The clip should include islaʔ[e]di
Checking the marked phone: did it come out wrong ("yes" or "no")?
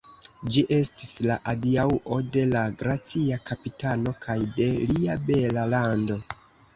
yes